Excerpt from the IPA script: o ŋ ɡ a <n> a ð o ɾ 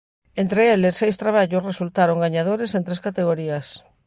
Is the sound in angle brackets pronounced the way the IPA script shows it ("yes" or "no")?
no